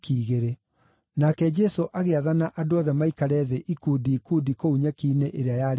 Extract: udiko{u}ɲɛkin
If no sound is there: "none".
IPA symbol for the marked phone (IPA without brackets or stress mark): u